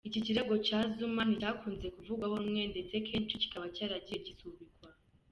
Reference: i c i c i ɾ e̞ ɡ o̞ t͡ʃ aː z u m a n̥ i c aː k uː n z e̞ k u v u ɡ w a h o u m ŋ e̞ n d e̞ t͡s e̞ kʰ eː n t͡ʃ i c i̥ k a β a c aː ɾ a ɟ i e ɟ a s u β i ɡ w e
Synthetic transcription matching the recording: i c i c i ɾ e̞ ɡ o̞ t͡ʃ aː z u m a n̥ i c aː k uː n z e̞ k u v u ɡ w a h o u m ŋ e̞ n d e̞ t͡s e̞ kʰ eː n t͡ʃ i c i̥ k a β a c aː ɾ a ɟ i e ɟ i s u β i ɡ w a